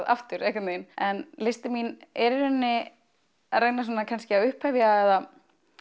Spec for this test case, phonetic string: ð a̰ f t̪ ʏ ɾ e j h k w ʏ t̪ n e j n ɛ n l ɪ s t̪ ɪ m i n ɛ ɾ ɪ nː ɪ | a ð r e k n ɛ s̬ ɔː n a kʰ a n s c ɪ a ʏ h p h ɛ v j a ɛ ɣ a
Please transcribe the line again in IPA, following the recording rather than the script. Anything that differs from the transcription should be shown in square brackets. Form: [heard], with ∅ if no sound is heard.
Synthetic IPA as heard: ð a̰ f t̪ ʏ ɾ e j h k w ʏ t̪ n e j n ɛ n l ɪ s t̪ ɪ m i n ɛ ɾ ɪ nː ɪ | a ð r e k n [a] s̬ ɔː n a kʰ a n s c ɪ a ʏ h p h ɛ v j a ɛ [ð] a